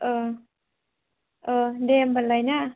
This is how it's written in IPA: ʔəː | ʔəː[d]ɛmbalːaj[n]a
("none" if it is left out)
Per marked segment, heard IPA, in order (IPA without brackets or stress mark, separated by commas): d, n